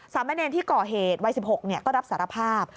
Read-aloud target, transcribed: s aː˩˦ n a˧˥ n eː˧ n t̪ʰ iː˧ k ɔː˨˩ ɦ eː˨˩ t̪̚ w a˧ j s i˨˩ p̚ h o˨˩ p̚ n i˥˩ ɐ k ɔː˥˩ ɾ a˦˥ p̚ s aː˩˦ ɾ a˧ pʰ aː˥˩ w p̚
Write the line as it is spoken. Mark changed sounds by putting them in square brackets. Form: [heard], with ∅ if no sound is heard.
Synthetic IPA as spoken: s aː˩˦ [m] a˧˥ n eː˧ n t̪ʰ [iː˥˩] k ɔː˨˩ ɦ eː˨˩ t̪̚ w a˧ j s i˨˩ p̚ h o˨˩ [k̚] n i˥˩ ɐ k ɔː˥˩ ɾ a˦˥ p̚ s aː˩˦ ɾ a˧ pʰ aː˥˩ [∅] p̚